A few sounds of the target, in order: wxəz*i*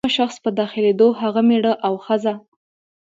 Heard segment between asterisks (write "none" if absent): a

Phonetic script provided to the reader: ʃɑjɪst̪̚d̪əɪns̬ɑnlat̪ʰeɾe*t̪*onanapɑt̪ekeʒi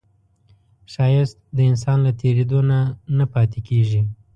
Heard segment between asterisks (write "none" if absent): d̪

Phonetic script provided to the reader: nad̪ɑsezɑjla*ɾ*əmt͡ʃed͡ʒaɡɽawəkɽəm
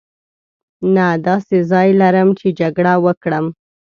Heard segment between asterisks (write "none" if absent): ɾ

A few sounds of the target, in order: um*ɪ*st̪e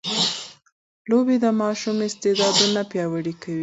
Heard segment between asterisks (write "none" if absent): ɪ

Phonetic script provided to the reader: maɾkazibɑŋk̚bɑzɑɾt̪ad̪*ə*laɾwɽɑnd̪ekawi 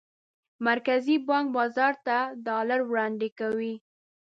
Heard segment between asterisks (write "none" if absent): ɑ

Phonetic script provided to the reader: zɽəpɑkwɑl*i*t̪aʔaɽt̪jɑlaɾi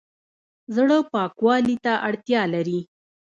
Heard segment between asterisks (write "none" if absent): i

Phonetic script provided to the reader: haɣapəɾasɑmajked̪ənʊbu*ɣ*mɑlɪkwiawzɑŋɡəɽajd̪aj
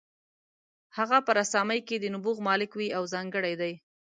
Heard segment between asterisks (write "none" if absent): ɣ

